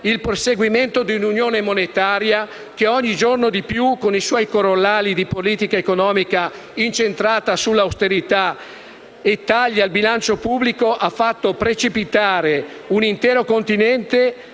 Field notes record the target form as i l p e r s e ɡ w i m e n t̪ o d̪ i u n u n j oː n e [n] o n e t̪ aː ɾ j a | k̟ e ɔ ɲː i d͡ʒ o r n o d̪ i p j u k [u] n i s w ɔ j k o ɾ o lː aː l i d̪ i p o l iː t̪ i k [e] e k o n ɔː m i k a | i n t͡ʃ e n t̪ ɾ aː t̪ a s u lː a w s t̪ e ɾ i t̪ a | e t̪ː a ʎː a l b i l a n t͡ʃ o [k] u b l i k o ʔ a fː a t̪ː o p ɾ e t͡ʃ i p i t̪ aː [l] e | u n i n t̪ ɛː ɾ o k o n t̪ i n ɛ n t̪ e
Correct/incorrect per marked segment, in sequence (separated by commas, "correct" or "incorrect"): incorrect, incorrect, incorrect, incorrect, incorrect